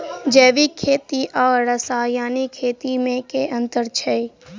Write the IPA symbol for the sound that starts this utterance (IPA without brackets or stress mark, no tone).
d͡ʒ